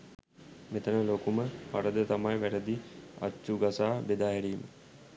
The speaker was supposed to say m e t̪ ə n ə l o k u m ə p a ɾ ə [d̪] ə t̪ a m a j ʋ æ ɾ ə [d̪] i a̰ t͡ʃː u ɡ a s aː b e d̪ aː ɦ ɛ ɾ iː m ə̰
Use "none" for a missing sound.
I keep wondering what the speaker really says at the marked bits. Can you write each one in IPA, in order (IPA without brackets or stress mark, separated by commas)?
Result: d̪, d̪